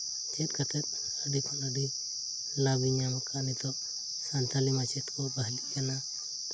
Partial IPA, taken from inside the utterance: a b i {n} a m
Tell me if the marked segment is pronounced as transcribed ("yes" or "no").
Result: no